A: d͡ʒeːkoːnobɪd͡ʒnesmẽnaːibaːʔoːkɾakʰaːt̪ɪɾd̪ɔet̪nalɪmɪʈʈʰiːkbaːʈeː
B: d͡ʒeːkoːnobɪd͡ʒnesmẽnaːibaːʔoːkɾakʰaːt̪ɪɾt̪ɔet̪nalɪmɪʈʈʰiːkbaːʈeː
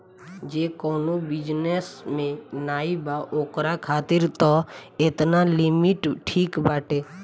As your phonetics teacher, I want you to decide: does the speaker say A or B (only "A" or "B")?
B